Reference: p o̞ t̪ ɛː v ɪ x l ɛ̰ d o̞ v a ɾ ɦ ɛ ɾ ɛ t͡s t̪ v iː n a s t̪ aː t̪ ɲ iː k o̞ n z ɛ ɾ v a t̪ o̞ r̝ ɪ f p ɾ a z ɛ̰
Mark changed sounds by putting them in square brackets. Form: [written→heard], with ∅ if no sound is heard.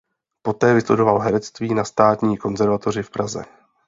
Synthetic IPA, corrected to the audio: p o̞ t̪ ɛː v ɪ [x→s] l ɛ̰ d o̞ v a [ɾ→l] ɦ ɛ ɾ ɛ t͡s t̪ v iː n a s t̪ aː t̪ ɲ iː k o̞ n z ɛ ɾ v a t̪ o̞ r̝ ɪ f p ɾ a z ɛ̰